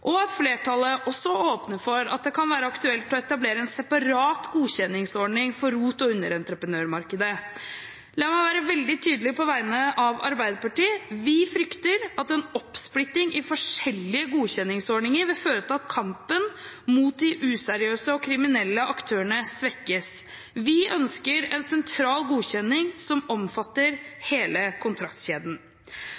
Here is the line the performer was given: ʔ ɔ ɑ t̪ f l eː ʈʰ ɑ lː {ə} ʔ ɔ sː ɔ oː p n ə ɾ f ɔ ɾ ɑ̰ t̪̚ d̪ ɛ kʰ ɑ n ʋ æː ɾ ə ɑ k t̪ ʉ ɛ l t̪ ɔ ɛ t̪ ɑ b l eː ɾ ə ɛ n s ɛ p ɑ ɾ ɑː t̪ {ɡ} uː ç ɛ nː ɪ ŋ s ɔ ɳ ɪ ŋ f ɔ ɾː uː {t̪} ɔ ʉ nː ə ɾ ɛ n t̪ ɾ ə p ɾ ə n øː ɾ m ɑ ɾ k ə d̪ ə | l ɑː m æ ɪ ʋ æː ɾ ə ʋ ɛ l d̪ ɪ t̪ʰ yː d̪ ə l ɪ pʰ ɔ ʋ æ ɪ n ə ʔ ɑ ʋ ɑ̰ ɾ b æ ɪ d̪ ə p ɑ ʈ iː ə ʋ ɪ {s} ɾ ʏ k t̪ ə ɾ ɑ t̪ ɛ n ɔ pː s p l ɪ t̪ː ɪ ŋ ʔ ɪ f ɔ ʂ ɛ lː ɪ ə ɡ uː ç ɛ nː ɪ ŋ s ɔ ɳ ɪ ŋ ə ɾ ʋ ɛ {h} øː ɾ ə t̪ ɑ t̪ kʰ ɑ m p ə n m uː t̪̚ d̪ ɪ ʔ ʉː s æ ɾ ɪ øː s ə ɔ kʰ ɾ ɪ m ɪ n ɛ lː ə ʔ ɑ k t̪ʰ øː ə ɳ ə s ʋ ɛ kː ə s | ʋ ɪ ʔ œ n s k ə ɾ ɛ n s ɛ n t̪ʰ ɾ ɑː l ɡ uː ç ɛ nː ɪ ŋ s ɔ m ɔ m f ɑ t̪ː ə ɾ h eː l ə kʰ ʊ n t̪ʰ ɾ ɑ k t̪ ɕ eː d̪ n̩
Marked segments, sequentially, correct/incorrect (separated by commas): correct, correct, correct, incorrect, incorrect